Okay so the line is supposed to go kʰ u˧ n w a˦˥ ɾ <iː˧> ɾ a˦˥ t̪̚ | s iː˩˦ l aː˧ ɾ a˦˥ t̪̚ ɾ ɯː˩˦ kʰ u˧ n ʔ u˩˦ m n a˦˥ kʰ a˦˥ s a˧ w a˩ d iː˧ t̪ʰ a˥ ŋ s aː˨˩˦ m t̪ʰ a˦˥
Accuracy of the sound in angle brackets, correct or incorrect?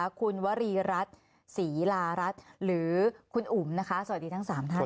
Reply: correct